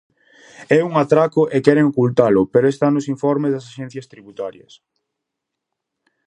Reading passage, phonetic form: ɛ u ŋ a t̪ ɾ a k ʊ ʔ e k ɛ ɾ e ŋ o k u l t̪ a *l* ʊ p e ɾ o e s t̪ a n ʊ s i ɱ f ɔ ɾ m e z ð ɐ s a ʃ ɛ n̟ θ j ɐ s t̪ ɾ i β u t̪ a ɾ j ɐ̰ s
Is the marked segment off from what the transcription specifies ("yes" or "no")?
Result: no